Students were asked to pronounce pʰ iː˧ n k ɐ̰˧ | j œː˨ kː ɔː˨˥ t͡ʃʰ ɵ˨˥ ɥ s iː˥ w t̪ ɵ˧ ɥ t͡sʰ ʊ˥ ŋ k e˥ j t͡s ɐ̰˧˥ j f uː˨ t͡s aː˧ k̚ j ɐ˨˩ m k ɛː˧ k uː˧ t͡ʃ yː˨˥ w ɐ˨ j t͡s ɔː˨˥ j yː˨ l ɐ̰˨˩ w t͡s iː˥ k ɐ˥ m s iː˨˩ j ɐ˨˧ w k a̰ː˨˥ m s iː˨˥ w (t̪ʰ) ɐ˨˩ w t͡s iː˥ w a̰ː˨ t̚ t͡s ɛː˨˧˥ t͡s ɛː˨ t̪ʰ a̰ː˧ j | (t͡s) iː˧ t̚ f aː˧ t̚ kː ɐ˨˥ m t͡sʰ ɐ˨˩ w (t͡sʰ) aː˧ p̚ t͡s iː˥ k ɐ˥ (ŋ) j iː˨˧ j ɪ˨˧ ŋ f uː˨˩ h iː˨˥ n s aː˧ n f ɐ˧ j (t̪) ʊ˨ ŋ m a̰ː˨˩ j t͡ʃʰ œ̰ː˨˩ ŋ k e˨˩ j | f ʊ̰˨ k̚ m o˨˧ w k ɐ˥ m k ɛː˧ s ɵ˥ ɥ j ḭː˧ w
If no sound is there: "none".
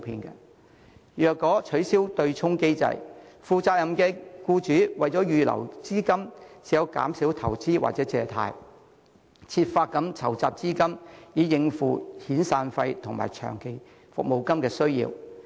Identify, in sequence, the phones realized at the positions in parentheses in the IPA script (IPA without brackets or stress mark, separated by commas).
t̪ʰ, t͡sʰ, t͡s, m, t̪ʰ